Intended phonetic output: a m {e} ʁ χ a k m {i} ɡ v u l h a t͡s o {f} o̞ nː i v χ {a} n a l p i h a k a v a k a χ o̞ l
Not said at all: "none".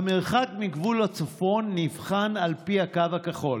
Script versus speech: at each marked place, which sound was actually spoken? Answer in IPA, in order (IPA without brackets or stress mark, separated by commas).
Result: e, i, f, a